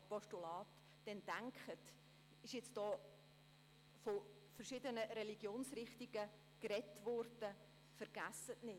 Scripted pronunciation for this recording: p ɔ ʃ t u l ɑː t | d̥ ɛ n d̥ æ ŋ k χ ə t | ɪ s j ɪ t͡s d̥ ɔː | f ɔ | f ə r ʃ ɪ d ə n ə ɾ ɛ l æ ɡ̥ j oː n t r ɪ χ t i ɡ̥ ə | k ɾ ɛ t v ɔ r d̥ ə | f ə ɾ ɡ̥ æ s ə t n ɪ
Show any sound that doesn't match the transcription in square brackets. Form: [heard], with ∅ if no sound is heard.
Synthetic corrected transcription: p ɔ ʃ t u l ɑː t | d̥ ɛ n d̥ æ ŋ k χ ə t | ɪ [ʃ] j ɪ t͡s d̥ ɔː | f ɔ | f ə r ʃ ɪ d ə n ə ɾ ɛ l [i] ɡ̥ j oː n [s] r ɪ χ t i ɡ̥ ə | k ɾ ɛ t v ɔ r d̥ ə | f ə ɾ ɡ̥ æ s ə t n ɪ